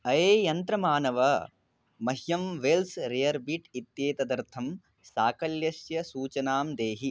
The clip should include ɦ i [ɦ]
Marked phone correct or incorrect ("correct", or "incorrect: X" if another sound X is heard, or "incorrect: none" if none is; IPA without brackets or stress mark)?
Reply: incorrect: none